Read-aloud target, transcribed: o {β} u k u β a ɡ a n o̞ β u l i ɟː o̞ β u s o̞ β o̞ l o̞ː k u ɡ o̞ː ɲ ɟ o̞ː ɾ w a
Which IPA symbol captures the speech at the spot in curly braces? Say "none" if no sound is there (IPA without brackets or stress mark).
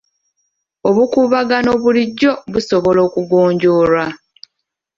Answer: β